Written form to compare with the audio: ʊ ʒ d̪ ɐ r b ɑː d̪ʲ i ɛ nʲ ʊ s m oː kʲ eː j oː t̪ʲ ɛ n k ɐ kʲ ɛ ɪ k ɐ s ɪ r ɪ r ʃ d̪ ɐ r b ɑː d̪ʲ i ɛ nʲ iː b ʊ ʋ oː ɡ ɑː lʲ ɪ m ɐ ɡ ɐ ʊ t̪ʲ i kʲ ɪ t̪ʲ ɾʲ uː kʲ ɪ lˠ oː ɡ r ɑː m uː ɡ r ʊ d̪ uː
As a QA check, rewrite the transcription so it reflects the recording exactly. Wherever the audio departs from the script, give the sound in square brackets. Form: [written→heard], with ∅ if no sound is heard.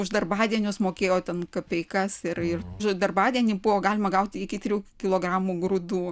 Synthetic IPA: ʊ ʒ d̪ ɐ r b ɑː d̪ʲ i ɛ nʲ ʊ s m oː kʲ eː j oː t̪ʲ ɛ n k ɐ [kʲ→pʲ] ɛ ɪ k ɐ s ɪ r ɪ r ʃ d̪ ɐ r b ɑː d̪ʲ i ɛ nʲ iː b ʊ ʋ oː ɡ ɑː lʲ ɪ m ɐ ɡ ɐ ʊ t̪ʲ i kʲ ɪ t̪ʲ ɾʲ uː kʲ ɪ lˠ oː ɡ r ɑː m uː ɡ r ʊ d̪ uː